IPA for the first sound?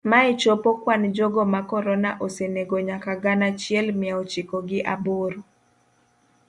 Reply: m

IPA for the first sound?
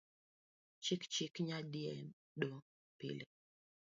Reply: t͡ʃ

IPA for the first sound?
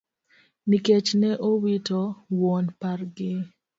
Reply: n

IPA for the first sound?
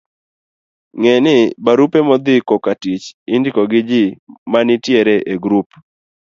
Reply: ŋ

